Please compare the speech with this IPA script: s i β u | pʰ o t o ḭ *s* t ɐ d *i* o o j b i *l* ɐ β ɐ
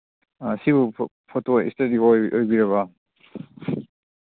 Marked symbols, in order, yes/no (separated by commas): yes, yes, no